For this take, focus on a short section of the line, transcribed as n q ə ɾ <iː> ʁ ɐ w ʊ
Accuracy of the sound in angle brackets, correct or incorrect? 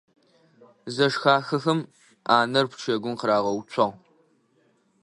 incorrect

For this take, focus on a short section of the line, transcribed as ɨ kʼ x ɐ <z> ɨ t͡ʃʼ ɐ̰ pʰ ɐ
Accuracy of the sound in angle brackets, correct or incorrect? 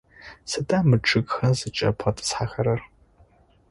correct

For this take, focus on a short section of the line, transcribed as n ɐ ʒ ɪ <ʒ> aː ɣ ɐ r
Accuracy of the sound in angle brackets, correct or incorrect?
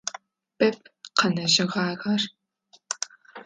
incorrect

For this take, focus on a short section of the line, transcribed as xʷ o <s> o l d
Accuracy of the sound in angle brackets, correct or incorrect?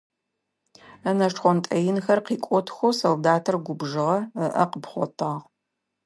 correct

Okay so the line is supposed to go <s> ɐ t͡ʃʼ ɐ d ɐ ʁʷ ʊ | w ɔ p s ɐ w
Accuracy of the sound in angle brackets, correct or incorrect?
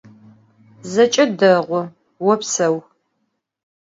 incorrect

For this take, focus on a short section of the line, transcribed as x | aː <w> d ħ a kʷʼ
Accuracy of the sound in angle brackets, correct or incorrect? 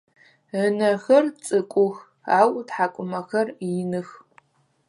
correct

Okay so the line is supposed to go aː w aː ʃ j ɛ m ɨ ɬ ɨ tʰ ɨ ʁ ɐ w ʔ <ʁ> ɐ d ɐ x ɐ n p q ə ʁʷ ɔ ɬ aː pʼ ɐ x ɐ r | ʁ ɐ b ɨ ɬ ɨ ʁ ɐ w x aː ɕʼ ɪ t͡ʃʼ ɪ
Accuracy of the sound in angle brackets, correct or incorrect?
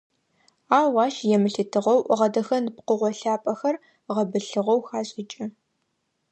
correct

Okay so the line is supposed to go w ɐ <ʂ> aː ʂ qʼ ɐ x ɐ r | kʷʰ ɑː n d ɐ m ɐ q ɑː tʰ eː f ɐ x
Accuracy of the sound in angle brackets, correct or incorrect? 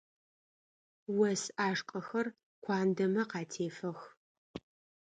incorrect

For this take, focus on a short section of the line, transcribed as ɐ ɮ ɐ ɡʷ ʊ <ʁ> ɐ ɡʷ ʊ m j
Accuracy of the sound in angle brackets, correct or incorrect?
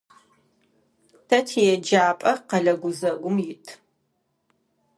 incorrect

